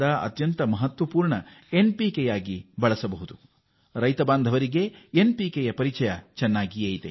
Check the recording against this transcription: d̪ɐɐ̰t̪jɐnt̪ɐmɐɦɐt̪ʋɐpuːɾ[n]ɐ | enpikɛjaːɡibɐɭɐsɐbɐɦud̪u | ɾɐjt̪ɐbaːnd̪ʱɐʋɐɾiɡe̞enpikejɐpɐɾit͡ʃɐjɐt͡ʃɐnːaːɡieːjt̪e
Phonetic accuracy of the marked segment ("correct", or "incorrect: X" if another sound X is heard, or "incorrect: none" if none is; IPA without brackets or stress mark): incorrect: ɳ